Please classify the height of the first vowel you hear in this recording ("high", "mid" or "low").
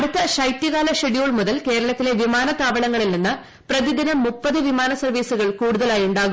low